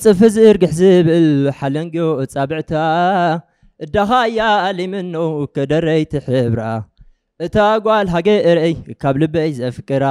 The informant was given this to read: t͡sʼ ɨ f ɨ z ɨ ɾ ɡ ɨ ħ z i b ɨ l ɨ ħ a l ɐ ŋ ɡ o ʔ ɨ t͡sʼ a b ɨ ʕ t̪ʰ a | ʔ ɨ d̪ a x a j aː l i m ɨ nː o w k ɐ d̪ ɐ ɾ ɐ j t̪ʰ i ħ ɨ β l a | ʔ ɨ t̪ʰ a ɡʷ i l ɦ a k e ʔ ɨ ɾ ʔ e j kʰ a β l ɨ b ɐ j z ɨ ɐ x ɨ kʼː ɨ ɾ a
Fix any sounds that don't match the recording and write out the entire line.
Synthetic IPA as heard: t͡sʼ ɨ f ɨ z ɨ ɾ ɡ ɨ ħ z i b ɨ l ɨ ħ a l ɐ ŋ ɡ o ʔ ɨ t͡sʼ a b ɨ ʕ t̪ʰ a | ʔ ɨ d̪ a x a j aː l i m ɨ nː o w k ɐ d̪ ɐ ɾ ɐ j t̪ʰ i ħ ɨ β ɾ a | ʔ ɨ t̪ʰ a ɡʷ a l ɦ a ɡ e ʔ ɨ ɾ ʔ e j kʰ a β l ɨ b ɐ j z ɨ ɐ f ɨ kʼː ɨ ɾ a

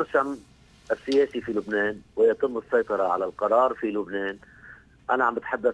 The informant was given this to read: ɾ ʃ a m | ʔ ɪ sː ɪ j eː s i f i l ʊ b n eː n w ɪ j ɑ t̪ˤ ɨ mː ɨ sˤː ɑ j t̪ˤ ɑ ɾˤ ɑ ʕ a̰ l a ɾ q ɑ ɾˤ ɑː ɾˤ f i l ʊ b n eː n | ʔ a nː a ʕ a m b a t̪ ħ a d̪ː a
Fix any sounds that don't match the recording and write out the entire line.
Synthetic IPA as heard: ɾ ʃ a m | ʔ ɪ sː ɪ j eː s i f i l ʊ b n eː n w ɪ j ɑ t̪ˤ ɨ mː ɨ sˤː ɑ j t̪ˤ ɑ ɾˤ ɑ ʕ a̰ l a l q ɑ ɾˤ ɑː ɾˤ f i l ʊ b n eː n | ʔ a n a ʕ a m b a t̪ ħ a d̪ː a

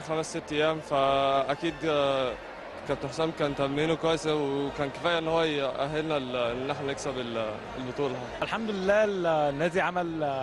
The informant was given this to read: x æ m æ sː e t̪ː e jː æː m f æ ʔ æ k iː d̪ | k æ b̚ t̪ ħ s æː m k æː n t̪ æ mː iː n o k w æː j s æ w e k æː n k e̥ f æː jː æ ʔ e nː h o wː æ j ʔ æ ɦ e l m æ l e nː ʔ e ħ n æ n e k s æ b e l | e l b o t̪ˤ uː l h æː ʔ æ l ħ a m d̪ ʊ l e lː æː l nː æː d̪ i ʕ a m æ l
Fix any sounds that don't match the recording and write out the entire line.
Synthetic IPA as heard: x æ m æ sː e t̪ː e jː æː m f æ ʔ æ k iː d̪ | k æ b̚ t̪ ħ s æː m k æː n t̪ æ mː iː n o k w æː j s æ w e k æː n k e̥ f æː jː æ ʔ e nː h o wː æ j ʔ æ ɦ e l n æ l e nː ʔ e ħ n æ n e k s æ b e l | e l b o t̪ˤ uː l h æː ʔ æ l ħ a m d̪ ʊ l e lː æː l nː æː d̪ i ʕ a m æ l

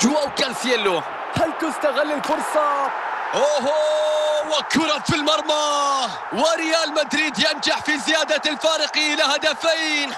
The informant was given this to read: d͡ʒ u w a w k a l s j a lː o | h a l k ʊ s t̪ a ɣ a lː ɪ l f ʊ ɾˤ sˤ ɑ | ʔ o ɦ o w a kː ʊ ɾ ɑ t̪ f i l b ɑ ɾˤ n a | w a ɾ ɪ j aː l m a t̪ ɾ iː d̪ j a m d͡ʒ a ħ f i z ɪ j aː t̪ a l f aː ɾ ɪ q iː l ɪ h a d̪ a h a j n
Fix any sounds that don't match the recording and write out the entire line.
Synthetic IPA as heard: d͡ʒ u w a w k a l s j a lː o | h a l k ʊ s t̪ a ɣ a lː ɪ l f ʊ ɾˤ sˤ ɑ | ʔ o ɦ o w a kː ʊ ɾ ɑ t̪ f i l m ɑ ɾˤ m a | w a ɾ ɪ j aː l m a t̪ ɾ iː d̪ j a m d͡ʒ a ħ f i z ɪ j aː d̪ a l f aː ɾ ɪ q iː l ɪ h a d̪ a f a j n

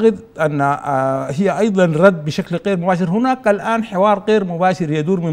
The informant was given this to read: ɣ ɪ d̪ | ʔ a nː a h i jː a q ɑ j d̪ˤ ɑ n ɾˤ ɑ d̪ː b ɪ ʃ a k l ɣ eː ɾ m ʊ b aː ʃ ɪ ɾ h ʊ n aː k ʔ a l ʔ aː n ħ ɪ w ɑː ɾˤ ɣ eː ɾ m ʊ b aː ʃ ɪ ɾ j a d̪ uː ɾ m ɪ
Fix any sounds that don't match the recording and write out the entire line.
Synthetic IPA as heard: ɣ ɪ d̪ | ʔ a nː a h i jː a ʔ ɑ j d̪ˤ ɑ n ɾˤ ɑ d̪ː b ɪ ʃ a k l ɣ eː ɾ m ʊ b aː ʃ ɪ ɾ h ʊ n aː k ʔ a l ʔ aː n ħ ɪ w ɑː ɾˤ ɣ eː ɾ m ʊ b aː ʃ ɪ ɾ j a d̪ uː ɾ m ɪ

